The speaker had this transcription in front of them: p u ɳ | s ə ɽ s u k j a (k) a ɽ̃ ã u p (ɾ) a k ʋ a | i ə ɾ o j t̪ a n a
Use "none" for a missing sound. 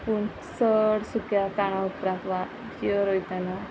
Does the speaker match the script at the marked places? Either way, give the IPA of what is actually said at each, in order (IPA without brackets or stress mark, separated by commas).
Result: k, ɾ